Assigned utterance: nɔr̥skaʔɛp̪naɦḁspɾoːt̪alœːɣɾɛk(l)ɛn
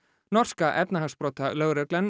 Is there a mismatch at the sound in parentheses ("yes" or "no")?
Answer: no